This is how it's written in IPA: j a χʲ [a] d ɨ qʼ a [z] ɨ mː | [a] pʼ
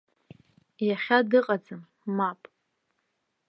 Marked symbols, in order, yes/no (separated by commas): yes, no, yes